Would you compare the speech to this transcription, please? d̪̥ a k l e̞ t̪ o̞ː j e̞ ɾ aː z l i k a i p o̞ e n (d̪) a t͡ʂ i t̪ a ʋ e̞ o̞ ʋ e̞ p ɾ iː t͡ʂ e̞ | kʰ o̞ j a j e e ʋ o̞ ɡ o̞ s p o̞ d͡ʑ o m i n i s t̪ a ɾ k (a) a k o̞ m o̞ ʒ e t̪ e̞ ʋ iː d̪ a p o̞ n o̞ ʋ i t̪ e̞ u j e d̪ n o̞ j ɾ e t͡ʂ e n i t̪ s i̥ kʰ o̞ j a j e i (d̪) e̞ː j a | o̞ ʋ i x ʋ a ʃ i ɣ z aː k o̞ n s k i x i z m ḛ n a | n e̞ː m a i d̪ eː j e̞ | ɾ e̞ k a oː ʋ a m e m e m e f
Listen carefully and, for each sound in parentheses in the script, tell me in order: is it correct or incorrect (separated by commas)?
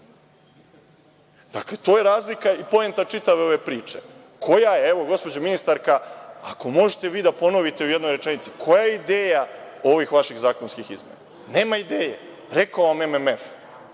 incorrect, correct, correct